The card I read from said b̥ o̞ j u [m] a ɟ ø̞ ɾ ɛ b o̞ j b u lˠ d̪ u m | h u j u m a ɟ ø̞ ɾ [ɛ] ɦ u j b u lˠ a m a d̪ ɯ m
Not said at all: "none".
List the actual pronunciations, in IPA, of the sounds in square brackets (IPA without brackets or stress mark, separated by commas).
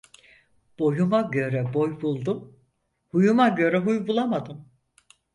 m, ɛ